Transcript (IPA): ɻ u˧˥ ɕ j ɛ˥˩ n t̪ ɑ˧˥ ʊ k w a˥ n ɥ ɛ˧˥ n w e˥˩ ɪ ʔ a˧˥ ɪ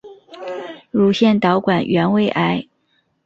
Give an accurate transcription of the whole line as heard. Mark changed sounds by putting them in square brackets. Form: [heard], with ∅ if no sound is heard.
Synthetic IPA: ɻ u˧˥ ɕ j ɛ˥˩ n t̪ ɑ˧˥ ʊ k w [a˨˩] n ɥ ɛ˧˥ n w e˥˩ ɪ ʔ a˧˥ ɪ